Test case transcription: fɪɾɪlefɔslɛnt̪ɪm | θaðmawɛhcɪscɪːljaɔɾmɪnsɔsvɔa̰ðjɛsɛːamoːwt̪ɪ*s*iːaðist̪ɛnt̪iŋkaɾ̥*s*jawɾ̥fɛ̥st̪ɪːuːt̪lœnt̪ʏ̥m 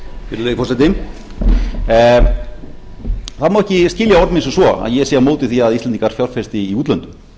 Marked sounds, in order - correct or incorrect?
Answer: incorrect: θ, incorrect: f

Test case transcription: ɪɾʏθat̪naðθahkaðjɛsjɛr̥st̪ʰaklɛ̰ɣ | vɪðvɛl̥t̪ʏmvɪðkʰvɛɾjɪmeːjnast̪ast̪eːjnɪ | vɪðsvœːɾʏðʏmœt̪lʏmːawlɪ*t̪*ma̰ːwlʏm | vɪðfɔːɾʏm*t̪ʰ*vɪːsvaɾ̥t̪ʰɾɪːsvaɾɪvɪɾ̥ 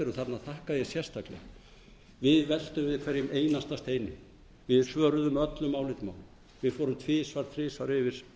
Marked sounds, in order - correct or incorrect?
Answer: correct, correct

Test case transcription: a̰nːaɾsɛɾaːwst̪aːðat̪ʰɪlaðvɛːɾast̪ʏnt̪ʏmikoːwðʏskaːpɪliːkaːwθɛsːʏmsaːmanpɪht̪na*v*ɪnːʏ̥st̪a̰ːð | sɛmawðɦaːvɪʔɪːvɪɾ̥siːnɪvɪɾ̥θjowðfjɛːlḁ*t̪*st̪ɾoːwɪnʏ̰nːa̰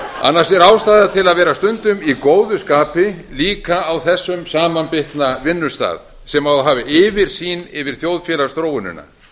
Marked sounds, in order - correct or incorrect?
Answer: correct, incorrect: none

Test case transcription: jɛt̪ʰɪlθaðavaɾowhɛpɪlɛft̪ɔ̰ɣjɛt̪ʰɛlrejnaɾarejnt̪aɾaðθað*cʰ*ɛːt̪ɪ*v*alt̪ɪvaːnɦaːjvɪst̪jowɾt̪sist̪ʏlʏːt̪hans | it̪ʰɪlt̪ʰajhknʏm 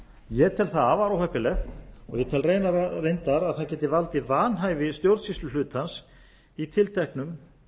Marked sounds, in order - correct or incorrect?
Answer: incorrect: c, correct

